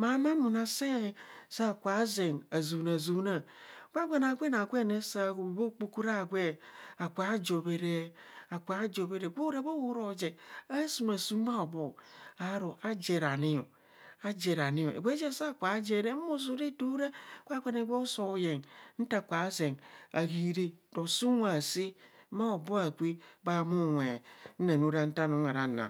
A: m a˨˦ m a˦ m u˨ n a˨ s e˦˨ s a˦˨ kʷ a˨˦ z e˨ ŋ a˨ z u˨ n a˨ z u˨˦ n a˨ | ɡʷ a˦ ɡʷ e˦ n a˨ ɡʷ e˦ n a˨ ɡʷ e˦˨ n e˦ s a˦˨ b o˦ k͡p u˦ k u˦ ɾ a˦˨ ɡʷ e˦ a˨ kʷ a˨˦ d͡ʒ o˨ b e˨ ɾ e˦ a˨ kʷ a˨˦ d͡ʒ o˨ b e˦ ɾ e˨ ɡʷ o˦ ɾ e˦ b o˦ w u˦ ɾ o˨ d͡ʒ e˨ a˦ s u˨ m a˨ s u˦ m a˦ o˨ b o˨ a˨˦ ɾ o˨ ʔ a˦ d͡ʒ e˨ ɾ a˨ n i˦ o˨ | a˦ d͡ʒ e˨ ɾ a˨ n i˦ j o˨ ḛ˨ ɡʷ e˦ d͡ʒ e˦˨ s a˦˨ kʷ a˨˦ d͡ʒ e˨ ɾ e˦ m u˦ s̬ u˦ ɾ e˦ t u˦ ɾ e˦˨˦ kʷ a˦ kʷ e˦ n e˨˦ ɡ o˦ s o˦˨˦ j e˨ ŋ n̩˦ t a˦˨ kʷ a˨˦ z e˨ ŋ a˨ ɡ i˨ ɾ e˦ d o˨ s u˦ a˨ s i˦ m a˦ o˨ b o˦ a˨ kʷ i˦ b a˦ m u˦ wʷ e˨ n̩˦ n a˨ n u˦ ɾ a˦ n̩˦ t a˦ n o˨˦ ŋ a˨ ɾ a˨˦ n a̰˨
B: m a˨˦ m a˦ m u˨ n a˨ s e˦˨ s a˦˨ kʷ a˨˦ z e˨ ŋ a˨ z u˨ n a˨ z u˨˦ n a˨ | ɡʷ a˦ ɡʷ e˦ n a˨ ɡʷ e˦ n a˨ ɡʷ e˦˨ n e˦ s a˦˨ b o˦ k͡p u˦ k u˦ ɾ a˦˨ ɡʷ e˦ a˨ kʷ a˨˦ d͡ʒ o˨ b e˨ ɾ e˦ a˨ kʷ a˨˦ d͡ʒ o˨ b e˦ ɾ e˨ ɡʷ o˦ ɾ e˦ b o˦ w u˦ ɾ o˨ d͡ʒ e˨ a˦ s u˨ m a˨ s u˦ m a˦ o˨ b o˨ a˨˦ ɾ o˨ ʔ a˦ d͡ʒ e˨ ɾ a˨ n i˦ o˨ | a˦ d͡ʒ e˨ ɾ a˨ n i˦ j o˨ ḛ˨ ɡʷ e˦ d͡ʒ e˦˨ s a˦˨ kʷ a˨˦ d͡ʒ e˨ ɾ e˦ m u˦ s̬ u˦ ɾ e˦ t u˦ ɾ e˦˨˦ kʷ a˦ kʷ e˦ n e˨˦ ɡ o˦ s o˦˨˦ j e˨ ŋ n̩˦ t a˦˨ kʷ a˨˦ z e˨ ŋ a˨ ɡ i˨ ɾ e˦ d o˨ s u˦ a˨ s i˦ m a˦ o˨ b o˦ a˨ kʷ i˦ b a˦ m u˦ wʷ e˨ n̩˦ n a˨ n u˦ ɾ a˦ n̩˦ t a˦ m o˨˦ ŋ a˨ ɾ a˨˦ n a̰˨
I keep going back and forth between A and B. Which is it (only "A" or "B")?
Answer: A